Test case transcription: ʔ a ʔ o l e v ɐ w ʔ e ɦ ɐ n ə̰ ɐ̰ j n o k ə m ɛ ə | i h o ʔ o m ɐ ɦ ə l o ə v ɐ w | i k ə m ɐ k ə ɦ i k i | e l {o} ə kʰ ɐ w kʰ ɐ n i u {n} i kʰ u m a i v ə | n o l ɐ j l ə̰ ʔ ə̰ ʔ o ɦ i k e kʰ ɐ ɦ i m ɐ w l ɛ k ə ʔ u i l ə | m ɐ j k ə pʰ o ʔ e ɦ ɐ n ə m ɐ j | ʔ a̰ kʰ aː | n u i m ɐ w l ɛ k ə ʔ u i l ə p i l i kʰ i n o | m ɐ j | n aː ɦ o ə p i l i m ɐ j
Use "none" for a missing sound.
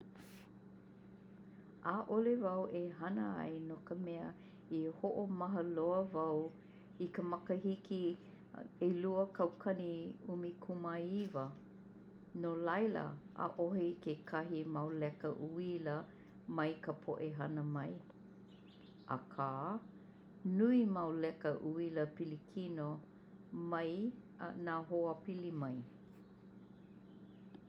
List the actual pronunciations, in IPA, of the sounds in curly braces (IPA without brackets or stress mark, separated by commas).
u, m